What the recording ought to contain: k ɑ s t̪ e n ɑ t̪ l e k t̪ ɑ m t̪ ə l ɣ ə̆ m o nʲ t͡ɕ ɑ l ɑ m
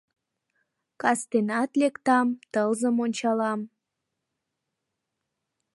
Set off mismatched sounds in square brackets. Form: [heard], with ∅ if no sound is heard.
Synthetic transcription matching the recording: k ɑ s t̪ e n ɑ t̪ l e k t̪ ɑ m t̪ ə l [z] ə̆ m o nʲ t͡ɕ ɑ l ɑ m